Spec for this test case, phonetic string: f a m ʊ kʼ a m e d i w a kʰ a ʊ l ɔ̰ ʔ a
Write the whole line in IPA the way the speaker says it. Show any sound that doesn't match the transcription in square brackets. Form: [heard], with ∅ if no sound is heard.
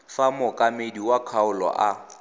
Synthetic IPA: f a m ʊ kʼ a m e d i w a kʰ a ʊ l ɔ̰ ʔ a